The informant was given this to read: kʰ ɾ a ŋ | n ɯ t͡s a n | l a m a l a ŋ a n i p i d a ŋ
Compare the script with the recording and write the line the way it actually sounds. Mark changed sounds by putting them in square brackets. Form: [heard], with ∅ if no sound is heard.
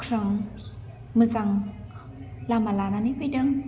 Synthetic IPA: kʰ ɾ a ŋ | [m] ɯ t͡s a [ŋ] | l a m a l a [n] a n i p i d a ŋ